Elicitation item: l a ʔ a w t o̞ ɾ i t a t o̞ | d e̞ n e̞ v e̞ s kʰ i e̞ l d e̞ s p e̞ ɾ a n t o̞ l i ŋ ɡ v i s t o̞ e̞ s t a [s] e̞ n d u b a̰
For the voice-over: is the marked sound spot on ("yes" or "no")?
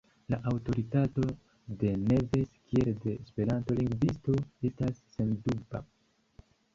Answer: no